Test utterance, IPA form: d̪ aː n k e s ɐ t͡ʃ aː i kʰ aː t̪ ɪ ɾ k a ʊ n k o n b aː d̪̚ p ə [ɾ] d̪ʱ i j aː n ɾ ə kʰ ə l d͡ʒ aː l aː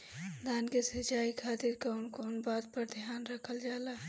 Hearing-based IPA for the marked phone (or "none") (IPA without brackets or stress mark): ɾ